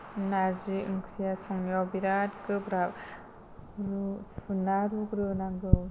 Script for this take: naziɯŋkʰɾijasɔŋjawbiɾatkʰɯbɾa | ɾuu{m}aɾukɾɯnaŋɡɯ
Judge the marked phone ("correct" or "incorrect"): incorrect